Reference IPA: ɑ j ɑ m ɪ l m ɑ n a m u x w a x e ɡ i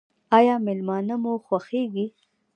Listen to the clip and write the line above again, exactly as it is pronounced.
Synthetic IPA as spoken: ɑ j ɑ m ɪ l m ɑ n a m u x w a x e ɡ i